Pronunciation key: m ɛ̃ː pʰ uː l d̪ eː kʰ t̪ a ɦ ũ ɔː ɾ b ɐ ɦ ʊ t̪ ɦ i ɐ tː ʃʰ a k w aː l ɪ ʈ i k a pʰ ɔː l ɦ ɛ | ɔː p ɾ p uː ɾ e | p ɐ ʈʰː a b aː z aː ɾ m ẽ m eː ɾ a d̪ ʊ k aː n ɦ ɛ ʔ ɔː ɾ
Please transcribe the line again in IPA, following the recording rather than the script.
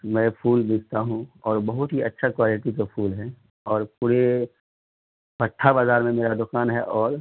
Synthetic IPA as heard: m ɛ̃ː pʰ uː l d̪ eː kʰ t̪ a ɦ ũ ɔː ɾ b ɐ ɦ ʊ t̪ ɦ i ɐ tː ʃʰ a k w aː l ɪ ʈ i k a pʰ uː l ɦ ɛ | ɔː ɾ p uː ɾ e | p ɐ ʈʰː a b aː z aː ɾ m ẽ m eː ɾ a d̪ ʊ k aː n ɦ ɛ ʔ ɔː ɾ